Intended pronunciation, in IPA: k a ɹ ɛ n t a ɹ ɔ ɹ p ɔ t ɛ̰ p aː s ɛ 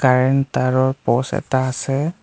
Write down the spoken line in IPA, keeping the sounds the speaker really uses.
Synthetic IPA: k a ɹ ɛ n t a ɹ ɔ ɹ p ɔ s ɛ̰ t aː s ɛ